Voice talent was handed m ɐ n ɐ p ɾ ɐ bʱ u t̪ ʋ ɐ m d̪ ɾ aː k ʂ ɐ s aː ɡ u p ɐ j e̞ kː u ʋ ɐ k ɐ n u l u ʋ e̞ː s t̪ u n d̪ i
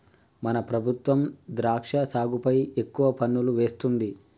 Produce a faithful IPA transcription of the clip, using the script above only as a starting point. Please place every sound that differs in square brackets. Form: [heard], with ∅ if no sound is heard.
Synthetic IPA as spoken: m ɐ n ɐ p ɾ ɐ bʱ u t̪ ʋ ɐ m d̪ ɾ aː k ʂ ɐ s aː ɡ u p ɐ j e̞ kː u ʋ ɐ [p] ɐ [nː] u l u ʋ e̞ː s t̪ u n d̪ i